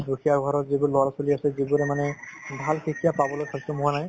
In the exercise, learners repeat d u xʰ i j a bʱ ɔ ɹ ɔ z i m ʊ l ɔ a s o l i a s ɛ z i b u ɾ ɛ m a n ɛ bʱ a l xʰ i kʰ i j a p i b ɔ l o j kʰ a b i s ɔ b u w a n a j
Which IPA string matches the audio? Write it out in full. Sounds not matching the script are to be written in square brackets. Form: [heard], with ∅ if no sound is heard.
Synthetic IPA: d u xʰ i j a [ɡʱ] ɔ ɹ ɔ z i [b] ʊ l ɔ a s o l i a s ɛ z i b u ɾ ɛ m a n ɛ bʱ a l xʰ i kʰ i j a p [a] b ɔ l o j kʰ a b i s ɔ [m] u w a n a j